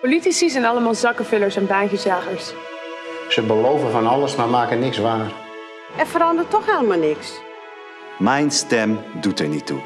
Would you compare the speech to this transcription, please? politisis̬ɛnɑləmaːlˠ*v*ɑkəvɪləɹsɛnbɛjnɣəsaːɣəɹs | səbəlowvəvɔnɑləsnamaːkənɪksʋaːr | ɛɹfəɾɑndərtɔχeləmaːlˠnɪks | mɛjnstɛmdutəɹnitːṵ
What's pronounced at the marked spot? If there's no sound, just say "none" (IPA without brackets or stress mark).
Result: z